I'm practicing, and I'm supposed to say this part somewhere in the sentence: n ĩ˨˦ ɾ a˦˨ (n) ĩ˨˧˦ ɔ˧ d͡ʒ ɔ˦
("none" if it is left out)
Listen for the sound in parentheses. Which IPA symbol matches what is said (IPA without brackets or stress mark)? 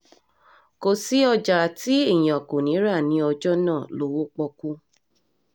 n